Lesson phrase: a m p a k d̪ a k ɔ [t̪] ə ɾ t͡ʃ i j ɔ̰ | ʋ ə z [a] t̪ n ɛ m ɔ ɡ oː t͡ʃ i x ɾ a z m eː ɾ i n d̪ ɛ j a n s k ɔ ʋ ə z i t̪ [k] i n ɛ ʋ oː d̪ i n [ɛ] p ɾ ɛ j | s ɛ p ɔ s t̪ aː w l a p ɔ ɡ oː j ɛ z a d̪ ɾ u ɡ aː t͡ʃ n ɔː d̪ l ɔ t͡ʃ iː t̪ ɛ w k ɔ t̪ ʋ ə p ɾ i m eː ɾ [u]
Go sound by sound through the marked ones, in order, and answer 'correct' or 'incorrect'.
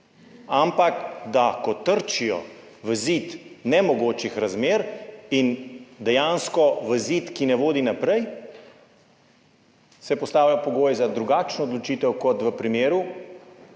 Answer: correct, incorrect, correct, incorrect, correct

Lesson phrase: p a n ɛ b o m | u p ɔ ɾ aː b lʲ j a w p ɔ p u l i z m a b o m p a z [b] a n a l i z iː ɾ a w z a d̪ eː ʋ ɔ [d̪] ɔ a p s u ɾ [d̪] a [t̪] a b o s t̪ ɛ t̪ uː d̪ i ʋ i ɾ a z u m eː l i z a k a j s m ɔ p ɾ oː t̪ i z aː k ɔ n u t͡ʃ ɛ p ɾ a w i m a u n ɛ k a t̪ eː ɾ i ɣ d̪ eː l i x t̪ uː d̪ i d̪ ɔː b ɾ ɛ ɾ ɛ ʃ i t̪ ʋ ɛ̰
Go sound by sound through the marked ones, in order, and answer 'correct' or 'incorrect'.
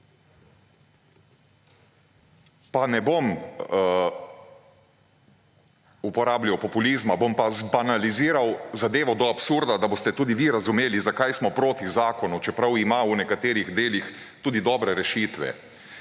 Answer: correct, correct, correct, incorrect

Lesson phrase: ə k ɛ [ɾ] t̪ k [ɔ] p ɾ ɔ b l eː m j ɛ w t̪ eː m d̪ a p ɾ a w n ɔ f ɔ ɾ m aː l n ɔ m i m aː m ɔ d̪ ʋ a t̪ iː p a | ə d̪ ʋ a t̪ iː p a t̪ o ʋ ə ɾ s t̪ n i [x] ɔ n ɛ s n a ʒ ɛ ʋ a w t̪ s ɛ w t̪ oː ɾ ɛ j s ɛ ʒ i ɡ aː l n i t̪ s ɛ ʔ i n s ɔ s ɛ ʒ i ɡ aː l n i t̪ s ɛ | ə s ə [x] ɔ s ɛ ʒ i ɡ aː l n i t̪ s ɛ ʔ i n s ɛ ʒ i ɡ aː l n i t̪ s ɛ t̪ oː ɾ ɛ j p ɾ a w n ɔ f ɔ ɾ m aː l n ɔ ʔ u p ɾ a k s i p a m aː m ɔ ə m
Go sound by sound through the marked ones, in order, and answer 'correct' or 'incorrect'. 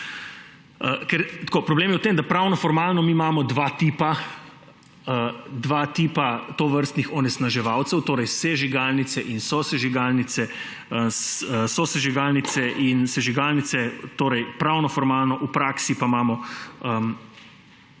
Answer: correct, incorrect, correct, incorrect

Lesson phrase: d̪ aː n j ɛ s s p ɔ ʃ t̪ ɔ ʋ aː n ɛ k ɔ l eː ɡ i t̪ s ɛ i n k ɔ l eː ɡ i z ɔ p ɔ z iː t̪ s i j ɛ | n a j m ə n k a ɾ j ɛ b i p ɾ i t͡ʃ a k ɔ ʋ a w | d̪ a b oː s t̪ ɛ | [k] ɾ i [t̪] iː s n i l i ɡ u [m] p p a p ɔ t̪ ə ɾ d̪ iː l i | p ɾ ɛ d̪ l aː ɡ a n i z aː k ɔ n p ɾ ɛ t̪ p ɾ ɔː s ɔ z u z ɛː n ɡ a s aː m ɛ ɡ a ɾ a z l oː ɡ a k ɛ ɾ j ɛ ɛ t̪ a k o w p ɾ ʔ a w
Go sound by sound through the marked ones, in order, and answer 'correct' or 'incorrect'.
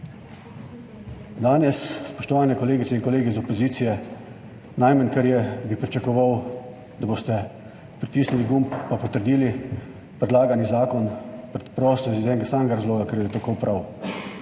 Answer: incorrect, correct, correct

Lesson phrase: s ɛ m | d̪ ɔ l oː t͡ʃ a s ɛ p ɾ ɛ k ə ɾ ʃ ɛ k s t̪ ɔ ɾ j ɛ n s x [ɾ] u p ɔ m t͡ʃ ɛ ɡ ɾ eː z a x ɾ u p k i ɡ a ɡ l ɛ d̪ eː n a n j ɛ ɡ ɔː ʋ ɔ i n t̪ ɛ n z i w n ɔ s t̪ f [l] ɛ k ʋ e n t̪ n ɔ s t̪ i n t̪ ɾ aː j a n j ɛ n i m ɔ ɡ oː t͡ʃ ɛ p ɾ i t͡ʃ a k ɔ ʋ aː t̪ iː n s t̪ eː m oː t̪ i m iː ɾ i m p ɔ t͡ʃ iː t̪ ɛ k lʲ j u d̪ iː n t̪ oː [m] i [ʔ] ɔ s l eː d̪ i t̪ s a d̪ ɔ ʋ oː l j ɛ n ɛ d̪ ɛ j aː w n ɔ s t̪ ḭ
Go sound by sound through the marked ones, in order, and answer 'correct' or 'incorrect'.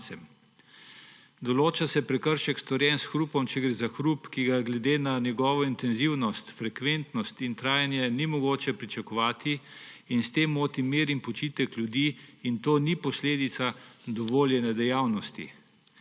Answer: correct, incorrect, incorrect, incorrect

